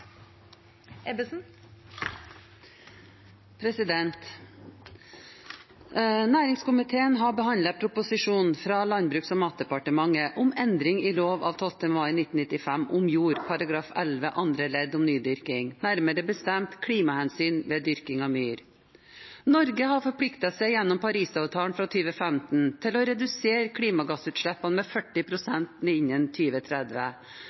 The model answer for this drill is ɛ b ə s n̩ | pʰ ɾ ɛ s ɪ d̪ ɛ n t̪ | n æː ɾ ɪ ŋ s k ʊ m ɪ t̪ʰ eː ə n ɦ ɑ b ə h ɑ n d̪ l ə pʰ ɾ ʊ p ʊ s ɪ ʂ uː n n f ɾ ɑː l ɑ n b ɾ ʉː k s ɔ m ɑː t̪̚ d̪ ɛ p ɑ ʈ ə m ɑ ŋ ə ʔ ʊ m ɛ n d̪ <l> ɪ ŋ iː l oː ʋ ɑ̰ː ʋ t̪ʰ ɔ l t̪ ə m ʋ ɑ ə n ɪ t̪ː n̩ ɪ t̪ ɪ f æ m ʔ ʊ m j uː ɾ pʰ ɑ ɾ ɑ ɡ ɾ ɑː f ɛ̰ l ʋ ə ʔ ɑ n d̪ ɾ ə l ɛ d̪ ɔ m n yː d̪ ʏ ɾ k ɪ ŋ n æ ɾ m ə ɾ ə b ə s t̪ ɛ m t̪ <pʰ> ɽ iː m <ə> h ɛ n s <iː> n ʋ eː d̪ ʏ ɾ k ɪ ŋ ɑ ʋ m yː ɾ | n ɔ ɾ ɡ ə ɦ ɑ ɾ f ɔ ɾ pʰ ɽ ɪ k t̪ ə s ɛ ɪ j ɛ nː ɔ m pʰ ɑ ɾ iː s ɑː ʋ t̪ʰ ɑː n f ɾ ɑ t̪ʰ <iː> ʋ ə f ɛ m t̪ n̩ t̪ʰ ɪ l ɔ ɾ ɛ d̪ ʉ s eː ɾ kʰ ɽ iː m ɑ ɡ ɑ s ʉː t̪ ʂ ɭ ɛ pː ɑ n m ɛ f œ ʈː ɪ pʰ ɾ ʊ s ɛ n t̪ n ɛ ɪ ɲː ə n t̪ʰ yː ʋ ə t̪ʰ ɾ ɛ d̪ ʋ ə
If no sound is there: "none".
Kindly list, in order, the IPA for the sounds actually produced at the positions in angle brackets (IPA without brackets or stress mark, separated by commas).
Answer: ɾ, kʰ, ɑ, yː, yː